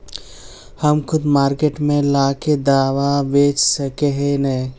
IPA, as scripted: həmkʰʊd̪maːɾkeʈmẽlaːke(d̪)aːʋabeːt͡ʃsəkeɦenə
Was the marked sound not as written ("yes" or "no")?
no